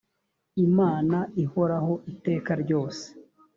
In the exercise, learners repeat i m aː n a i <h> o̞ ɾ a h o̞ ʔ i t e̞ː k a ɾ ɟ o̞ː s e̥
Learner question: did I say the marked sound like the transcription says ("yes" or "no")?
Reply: yes